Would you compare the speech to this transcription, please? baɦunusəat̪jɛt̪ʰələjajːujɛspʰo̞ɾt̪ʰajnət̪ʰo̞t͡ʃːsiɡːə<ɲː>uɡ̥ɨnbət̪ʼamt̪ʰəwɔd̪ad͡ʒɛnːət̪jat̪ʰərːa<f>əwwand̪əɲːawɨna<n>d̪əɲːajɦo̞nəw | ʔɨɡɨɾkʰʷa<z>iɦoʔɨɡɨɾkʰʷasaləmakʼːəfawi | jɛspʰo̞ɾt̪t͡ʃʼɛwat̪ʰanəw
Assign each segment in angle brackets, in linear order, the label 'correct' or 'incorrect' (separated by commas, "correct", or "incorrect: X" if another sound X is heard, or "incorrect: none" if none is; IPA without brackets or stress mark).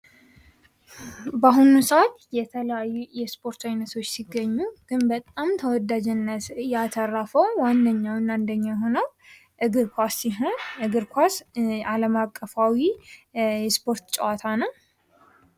correct, correct, correct, incorrect: s